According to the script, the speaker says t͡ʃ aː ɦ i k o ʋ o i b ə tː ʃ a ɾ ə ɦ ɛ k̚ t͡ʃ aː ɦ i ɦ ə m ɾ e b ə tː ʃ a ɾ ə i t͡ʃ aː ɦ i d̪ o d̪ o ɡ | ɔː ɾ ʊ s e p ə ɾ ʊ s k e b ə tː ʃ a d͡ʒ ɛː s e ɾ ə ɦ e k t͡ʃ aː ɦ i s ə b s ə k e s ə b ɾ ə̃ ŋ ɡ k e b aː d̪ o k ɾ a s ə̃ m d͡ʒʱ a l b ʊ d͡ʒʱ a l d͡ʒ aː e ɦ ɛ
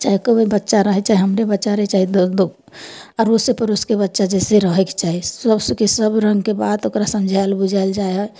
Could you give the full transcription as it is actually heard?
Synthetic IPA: t͡ʃ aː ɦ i k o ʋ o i b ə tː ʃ a ɾ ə ɦ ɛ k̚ t͡ʃ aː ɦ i ɦ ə m ɾ e b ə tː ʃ a ɾ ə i t͡ʃ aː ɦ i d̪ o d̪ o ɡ | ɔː ɾ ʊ s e p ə ɾ ʊ s k e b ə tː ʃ a d͡ʒ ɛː s e ɾ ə ɦ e k t͡ʃ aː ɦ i s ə b s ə k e s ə b ɾ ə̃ ŋ ɡ k e b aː d̪ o k ɾ a s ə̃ m d͡ʒʱ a l b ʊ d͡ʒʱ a l d͡ʒ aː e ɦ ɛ